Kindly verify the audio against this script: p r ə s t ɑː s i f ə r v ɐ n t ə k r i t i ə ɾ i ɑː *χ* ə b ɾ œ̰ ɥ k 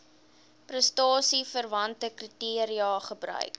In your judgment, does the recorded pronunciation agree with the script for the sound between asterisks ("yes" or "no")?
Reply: yes